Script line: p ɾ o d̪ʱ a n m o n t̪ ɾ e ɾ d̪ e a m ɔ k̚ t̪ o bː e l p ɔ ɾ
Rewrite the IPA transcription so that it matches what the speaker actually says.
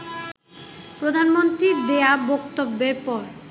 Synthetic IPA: p ɾ o d̪ʱ a n m o n t̪ ɾ i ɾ d̪ e a b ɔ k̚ t̪ o bː e ɾ p ɔ ɾ